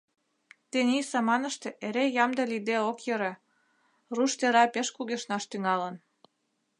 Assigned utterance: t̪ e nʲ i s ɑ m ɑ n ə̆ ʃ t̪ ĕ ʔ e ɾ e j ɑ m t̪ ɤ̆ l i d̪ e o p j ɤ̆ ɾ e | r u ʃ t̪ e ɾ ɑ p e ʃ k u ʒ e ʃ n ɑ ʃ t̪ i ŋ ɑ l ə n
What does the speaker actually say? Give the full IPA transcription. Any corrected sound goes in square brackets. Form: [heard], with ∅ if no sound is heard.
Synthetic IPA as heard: t̪ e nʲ i s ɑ m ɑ n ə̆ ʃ t̪ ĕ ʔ e ɾ e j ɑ m [d̪] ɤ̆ l i d̪ e o [k] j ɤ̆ ɾ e | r u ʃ t̪ e ɾ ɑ p e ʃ k u [ɣ] e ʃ n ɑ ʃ t̪ [y] ŋ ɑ l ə n